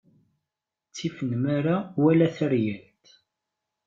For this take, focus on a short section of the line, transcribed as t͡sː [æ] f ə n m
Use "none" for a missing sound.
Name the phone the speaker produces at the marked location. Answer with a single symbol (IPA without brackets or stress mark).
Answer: i